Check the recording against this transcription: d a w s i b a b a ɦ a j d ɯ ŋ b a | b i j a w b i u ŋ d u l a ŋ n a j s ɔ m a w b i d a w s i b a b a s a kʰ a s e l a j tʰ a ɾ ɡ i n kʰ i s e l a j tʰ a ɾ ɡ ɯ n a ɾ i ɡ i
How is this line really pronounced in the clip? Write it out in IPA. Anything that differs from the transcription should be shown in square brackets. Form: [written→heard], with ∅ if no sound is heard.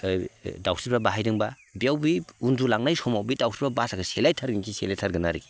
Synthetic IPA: d a w s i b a b a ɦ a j d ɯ ŋ b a | b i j a w b i u [ŋ→n] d u l a ŋ n a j s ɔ m a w b i d a w s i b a b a s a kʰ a s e l a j tʰ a ɾ ɡ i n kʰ i s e l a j tʰ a ɾ ɡ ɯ n a ɾ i ɡ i